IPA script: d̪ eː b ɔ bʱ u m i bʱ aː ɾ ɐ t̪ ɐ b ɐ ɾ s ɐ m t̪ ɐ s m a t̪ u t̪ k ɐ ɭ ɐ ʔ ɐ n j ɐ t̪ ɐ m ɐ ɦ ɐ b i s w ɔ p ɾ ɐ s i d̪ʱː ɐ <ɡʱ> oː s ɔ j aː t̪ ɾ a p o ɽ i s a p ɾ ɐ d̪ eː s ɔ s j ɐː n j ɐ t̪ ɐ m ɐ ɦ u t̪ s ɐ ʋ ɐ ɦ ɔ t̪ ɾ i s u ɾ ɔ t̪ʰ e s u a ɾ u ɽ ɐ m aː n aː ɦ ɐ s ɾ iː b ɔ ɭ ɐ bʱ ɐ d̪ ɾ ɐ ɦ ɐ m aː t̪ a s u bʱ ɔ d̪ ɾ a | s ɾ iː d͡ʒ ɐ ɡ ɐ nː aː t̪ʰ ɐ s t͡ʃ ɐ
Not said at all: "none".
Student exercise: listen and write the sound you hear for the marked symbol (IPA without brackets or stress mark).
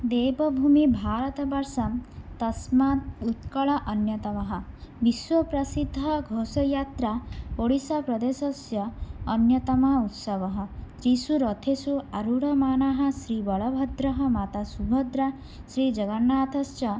ɡʱ